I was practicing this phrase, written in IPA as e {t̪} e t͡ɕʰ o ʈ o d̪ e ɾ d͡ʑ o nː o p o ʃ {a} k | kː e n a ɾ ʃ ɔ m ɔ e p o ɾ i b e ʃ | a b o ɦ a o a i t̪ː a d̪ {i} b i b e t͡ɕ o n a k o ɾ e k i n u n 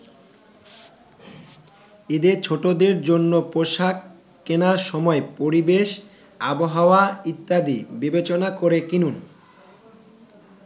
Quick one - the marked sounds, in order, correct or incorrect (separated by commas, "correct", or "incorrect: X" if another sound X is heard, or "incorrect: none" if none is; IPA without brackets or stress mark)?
incorrect: d̪, correct, correct